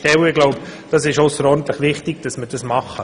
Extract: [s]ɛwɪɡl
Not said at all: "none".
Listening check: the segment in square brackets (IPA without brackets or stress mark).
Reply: t